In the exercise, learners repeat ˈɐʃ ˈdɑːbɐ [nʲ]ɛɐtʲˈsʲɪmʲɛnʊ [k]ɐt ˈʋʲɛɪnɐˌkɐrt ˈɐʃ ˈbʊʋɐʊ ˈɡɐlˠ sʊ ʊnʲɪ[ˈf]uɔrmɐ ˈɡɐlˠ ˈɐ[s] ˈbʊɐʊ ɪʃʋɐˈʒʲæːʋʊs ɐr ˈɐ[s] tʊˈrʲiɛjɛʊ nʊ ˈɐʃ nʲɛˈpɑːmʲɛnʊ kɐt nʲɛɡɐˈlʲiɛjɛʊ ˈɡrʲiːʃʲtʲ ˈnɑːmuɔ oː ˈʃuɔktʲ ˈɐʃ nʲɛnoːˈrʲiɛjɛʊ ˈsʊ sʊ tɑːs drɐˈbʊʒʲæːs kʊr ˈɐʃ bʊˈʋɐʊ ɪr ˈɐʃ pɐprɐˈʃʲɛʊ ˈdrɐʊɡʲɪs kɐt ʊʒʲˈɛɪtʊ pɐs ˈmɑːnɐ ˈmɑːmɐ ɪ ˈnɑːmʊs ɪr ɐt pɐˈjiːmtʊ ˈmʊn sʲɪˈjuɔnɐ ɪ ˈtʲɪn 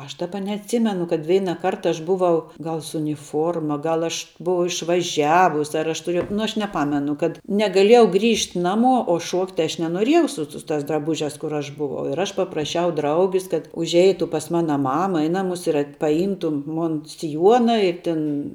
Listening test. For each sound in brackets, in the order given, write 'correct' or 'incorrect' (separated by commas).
correct, correct, correct, incorrect, incorrect